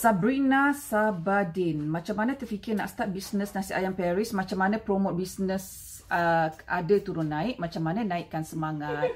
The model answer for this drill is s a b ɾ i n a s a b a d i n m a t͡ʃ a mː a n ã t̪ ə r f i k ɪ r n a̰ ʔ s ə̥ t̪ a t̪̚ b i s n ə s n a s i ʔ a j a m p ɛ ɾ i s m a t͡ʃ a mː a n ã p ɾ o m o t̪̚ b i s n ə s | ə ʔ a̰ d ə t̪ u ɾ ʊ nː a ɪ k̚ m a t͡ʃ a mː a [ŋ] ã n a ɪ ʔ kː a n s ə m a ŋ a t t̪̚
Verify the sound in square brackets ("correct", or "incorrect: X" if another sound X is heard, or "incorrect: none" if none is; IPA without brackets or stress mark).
incorrect: n